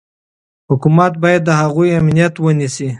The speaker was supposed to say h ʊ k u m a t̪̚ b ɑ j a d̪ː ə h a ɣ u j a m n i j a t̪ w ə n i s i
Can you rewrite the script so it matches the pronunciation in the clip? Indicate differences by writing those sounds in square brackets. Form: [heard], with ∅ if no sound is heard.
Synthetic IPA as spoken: h ʊ k u m a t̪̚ b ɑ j a d̪ː ə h a ɣ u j a m n i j a t̪ w ə n i s i